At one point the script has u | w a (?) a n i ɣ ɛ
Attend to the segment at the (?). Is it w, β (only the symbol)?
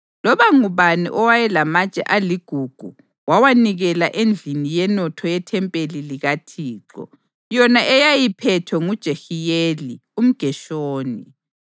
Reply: w